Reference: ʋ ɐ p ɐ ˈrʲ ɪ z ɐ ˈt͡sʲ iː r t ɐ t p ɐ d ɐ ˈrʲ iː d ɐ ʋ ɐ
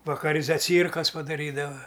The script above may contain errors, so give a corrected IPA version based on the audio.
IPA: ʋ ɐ k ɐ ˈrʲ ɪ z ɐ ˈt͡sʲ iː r k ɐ s p ɐ d ɐ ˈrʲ iː d ɐ ʋ ɐ

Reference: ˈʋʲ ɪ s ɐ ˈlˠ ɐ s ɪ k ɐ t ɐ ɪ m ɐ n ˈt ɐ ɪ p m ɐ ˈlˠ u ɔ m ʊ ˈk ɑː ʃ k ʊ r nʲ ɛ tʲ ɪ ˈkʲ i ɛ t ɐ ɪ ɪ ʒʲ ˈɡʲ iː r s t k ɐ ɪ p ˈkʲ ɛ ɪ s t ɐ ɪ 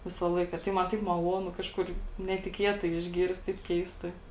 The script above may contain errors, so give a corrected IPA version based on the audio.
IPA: ˈʋʲ ɪ s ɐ ˈlˠ ɐ ɪ k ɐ t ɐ ɪ m ɐ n ˈt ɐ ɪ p m ɐ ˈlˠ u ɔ n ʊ ˈk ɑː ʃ k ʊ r nʲ ɛ tʲ ɪ ˈkʲ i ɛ t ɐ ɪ ɪ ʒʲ ˈɡʲ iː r s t t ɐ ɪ p ˈkʲ ɛ ɪ s t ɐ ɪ

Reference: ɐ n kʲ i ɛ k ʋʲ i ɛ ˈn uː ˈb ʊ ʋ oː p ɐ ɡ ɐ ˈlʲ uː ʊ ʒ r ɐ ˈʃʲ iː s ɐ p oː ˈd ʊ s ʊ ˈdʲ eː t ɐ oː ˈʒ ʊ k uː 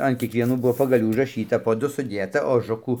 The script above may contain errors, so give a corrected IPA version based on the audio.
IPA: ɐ n kʲ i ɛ k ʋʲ i ɛ ˈn uː ˈb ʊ ʋ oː p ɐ ɡ ɐ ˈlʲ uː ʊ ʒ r ɐ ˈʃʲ iː t ɐ p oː ˈd ʊ s ʊ ˈdʲ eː t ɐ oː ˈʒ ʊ k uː

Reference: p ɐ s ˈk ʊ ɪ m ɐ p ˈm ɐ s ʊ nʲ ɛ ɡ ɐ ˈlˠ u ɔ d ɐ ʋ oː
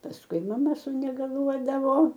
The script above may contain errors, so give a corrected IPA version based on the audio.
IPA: p ɐ s ˈk ʊ ɪ m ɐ ˈm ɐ s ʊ nʲ ɛ ɡ ɐ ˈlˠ u ɔ d ɐ ʋ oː

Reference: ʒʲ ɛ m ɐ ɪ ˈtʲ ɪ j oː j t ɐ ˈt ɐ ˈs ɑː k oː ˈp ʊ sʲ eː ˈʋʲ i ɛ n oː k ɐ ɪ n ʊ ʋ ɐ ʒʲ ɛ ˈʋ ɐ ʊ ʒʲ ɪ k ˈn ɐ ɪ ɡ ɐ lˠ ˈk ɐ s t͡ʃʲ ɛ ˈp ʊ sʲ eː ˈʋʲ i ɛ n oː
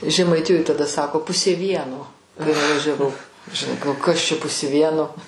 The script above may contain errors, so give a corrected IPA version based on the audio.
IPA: ʒʲ ɛ m ɐ ɪ ˈtʲ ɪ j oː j t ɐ ˈd ɐ ˈs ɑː k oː ˈp ʊ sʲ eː ˈʋʲ i ɛ n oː k ɐ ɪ n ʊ ʋ ɐ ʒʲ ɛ ˈʋ ɐ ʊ ʒʲ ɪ ˈn ɐ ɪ ɡ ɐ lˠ ˈk ɐ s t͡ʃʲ ɛ ˈp ʊ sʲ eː ˈʋʲ i ɛ n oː

